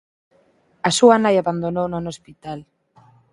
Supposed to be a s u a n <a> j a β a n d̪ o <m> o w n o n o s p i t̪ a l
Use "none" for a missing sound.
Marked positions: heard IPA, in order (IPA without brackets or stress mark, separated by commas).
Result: a, n